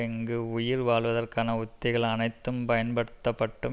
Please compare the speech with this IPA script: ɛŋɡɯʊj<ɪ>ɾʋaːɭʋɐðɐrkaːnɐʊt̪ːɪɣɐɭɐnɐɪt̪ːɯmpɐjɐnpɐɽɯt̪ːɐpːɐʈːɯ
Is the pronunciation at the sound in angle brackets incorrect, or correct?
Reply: correct